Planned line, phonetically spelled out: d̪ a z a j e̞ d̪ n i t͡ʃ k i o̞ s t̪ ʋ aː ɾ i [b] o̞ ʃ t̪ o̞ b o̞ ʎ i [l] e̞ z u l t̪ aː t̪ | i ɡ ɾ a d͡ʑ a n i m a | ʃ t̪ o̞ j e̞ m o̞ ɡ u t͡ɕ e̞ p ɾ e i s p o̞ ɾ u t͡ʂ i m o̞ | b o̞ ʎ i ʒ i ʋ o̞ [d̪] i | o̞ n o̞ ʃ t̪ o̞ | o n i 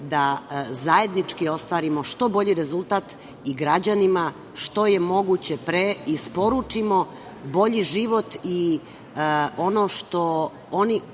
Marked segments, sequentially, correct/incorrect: incorrect: m, incorrect: ɾ, incorrect: t̪

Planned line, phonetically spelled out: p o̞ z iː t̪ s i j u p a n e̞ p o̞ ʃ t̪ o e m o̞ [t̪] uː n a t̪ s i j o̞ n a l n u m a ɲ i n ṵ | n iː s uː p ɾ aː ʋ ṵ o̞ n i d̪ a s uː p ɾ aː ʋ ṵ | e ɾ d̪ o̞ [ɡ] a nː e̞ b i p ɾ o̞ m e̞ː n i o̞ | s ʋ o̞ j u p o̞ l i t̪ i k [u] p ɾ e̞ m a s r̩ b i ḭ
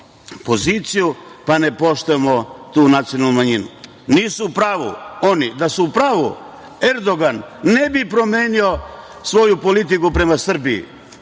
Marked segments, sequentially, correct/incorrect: correct, correct, correct

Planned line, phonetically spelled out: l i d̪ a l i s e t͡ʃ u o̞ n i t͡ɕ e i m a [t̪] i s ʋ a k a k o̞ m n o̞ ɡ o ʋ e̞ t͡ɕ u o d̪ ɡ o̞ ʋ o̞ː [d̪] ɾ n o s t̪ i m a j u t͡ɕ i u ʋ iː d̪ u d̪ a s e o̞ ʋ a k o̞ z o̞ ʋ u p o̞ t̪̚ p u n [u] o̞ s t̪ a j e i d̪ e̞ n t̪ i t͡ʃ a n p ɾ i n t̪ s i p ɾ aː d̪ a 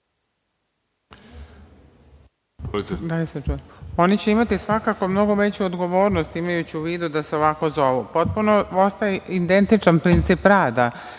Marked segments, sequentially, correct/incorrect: correct, incorrect: none, incorrect: o

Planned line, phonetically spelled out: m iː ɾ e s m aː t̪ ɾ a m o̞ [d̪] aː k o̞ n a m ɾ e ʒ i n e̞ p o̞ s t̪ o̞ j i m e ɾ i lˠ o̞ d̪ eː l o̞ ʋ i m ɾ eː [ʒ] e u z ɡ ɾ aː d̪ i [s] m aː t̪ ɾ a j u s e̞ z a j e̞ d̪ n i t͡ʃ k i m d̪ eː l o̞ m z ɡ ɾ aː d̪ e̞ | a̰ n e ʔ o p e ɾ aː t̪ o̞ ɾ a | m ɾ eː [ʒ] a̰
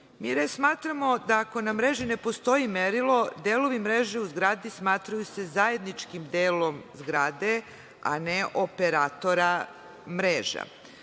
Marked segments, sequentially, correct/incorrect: correct, correct, correct, correct

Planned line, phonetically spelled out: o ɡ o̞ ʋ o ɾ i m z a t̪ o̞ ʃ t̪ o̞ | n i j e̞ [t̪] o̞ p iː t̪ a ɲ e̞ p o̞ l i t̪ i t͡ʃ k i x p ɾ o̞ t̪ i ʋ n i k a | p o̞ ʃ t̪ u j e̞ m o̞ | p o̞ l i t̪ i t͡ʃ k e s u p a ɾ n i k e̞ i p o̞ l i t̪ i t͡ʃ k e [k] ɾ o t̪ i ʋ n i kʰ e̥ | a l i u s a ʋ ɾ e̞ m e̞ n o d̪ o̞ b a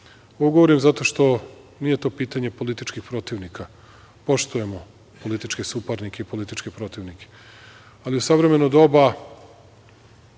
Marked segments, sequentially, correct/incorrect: correct, incorrect: p

